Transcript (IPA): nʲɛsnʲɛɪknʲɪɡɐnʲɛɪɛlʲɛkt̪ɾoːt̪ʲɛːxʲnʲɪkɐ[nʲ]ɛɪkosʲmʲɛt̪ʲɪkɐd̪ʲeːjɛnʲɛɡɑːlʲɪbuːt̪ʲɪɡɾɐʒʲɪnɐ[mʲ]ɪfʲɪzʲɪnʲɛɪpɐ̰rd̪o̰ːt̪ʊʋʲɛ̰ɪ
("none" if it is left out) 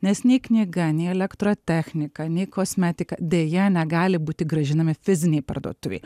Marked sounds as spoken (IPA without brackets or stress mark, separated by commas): nʲ, mʲ